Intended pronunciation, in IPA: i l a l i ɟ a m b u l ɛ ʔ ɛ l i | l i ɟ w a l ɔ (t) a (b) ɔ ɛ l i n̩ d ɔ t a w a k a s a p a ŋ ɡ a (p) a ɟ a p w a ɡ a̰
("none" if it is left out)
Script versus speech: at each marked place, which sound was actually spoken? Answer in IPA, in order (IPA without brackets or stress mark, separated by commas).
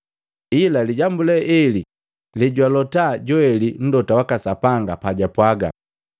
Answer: t, ɟ, p